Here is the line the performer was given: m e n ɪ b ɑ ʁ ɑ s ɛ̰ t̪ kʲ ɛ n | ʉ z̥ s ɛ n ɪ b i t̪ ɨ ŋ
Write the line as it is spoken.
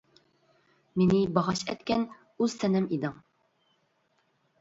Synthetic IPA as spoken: m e n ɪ b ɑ ʁ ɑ ʃ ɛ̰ t̪ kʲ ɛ n | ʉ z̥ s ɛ n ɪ m i d̪ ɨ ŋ